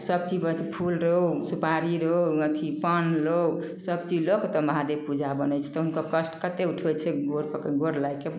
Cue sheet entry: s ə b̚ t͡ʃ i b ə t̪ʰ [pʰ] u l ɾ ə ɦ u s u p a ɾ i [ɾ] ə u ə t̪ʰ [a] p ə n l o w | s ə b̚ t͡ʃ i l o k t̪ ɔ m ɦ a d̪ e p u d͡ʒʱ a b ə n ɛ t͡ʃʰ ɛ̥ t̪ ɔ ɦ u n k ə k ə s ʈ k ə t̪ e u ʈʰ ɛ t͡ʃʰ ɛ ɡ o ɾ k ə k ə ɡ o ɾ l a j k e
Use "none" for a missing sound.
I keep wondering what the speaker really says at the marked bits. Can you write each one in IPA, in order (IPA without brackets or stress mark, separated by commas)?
pʰ, ɾ, i